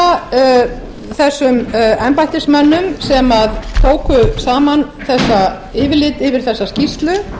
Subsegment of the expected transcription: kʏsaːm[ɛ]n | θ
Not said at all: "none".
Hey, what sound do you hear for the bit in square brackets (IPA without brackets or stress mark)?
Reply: a